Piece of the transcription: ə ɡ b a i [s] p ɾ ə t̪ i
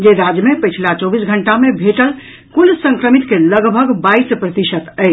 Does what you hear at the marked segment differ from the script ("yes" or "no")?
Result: no